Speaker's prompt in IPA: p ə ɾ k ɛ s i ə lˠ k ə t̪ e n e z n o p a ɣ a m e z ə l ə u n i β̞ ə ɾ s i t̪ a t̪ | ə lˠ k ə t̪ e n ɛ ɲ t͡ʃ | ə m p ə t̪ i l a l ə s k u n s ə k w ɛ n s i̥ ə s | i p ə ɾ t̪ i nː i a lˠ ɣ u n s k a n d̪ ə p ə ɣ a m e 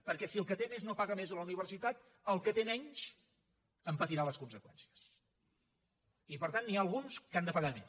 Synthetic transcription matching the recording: p ə ɾ k ɛ s i ə lˠ k ə t̪ e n e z n o p a ɣ ə m e z ə l ə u n i β̞ ə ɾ s i t̪ a t̪ | ə lˠ k ə t̪ e n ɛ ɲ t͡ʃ | ə m p ə t̪ i ɾ a l ə s k u n s ə k w ɛ n s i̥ ə s | i p ə ɾ t̪ a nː i a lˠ ɣ u n s k a n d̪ ə p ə ɣ a m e